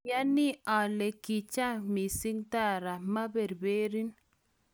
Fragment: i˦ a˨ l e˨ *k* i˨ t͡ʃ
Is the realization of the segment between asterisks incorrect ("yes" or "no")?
no